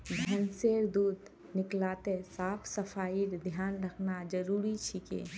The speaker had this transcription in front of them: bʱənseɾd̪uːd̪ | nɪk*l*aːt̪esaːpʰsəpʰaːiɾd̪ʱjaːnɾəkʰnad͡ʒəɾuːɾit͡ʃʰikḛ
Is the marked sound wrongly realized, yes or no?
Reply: no